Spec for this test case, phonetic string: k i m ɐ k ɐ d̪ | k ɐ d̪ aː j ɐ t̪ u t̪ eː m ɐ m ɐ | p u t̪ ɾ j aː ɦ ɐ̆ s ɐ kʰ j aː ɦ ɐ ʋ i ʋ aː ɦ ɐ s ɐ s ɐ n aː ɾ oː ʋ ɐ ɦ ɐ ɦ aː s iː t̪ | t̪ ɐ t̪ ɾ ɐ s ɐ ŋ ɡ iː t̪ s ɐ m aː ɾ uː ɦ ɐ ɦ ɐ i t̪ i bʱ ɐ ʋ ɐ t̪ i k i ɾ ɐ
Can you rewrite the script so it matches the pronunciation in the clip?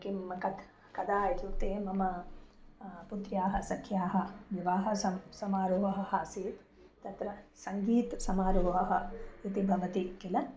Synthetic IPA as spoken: k i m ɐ k ɐ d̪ | k ɐ d̪ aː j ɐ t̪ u t̪ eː m ɐ m ɐ | p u t̪ ɾ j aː ɦ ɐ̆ s ɐ kʰ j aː ɦ ɐ ʋ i ʋ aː ɦ ɐ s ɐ s ɐ m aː ɾ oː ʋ ɐ ɦ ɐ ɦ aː s iː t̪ | t̪ ɐ t̪ ɾ ɐ s ɐ ŋ ɡ iː t̪ s ɐ m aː ɾ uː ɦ ɐ ɦ ɐ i t̪ i bʱ ɐ ʋ ɐ t̪ i k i l ɐ